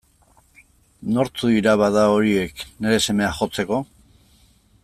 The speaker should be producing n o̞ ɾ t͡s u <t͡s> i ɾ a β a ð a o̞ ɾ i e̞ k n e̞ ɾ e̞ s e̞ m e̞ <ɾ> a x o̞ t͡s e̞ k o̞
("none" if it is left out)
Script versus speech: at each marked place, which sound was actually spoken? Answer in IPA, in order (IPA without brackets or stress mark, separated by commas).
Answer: none, none